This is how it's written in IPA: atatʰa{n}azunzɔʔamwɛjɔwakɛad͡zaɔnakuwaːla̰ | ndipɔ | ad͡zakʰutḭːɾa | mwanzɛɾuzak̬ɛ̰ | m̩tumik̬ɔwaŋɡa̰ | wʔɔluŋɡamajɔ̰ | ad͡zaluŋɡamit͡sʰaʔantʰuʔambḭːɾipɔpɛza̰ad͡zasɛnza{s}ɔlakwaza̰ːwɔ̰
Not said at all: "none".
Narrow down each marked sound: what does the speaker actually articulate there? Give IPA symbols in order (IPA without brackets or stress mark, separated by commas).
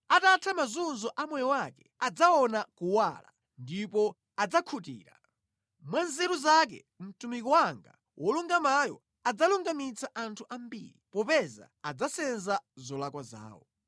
m, z